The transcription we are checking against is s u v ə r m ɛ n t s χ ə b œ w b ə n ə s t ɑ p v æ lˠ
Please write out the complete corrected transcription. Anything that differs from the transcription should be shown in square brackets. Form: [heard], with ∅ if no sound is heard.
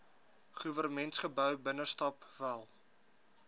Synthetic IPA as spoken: [χ] u v ə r m ɛ n t s χ ə b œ w b ə n ə s t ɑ p v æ lˠ